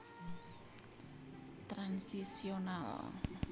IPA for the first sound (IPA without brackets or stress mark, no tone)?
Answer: t̪